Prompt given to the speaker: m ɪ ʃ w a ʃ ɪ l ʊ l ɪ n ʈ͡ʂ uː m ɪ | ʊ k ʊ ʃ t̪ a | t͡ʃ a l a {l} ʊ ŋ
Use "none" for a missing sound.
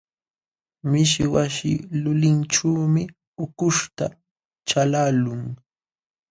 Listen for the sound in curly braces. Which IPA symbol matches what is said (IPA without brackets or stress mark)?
l